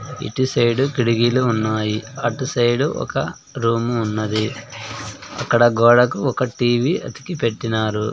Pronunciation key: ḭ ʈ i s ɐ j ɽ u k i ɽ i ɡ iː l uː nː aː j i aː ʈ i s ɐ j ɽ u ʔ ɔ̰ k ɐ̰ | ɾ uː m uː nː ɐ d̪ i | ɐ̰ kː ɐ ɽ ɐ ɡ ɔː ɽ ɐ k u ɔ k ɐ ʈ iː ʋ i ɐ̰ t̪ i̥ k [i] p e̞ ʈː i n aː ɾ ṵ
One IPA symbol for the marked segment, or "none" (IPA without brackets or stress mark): i